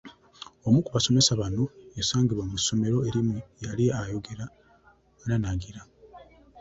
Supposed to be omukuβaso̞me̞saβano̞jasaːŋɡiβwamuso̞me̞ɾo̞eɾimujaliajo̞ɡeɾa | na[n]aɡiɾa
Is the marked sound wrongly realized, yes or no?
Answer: no